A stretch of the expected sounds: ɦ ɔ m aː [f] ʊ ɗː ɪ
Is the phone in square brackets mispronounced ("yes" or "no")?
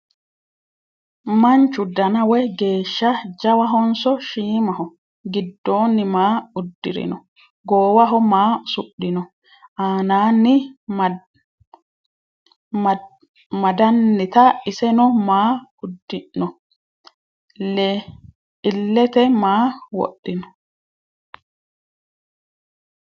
yes